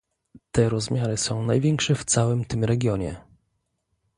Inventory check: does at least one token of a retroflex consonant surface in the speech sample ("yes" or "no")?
yes